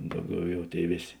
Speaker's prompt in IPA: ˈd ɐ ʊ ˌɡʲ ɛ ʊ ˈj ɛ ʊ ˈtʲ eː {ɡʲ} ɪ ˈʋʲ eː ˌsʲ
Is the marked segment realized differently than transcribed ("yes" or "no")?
yes